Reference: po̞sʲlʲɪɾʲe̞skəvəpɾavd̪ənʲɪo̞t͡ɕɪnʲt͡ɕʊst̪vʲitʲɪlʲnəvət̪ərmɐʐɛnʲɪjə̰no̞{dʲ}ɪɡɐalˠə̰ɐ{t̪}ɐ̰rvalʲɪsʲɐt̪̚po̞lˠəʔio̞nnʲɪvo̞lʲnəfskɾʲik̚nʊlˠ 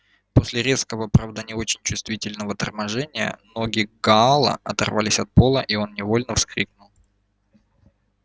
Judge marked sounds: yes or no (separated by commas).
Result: no, yes